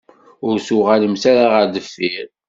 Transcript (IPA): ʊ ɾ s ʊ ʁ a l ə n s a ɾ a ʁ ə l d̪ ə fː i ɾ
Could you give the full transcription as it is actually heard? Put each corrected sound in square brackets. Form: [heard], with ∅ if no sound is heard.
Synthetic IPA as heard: ʊ ɾ s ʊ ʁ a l ə [m] s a ɾ a ʁ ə [ɾ] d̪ ə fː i ɾ